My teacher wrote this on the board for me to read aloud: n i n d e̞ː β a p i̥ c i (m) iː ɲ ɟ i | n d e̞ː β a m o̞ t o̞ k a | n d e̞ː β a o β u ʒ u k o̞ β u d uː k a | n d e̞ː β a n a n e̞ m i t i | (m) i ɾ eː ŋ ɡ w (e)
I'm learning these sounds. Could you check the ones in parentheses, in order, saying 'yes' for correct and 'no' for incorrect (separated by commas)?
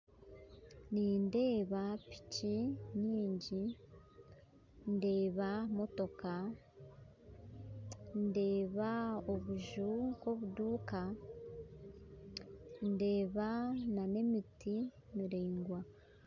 no, yes, no